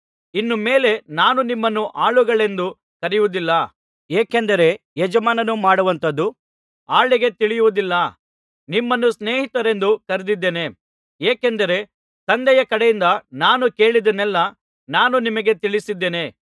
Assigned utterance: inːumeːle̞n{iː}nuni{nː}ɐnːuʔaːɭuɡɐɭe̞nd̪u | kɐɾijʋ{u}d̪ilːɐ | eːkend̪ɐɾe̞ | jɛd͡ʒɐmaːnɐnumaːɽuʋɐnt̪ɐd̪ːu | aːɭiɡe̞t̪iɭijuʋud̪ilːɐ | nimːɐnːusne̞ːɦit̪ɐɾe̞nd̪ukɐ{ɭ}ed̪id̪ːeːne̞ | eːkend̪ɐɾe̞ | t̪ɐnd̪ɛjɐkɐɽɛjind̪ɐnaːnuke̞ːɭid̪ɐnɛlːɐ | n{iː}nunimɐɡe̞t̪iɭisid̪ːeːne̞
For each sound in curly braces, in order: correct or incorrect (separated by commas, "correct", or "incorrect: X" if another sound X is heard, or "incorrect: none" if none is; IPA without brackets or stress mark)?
incorrect: aː, incorrect: mː, correct, incorrect: ɾ, incorrect: aː